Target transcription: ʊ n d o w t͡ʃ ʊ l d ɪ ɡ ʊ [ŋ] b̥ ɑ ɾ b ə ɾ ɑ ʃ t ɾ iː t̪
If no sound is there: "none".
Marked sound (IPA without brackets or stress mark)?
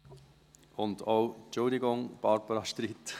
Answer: ŋ